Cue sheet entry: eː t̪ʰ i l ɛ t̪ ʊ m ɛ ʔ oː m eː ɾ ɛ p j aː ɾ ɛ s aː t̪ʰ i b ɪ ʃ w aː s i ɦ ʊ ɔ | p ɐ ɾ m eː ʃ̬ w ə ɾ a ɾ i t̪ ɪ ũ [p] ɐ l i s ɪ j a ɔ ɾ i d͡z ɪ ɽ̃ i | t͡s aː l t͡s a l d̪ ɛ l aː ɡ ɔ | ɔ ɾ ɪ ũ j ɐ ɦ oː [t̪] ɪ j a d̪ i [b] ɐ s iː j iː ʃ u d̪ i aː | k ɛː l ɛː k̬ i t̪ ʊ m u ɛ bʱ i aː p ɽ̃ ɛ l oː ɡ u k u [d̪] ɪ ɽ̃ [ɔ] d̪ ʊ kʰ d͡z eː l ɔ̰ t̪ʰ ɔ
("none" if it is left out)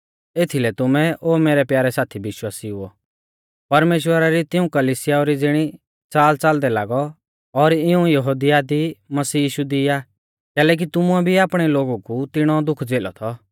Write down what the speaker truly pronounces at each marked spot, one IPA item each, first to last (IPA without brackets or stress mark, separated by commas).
k, d̪, m, t̪, ɔ